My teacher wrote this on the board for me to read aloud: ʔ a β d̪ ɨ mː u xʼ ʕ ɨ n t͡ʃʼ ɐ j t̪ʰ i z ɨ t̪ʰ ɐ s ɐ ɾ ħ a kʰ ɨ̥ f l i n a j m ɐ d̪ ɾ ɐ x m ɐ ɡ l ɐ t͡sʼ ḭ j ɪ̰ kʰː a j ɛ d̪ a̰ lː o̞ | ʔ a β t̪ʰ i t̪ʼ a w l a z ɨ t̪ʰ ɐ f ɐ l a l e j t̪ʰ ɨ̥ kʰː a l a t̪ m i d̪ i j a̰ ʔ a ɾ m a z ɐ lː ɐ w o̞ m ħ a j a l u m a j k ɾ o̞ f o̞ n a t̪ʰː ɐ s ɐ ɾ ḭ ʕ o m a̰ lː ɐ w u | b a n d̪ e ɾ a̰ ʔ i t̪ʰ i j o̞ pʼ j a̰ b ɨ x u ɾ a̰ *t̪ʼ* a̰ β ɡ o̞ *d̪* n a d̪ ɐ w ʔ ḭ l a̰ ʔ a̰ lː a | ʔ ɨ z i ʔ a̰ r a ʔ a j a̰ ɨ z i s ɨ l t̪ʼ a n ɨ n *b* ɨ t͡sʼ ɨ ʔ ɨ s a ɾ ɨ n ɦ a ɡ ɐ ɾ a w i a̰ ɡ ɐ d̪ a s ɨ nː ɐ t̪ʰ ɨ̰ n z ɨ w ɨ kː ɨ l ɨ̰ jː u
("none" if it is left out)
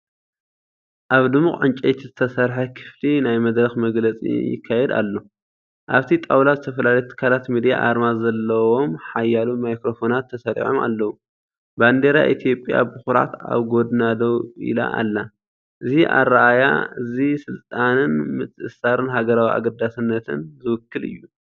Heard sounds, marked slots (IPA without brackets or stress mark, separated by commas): t̪, d̪, m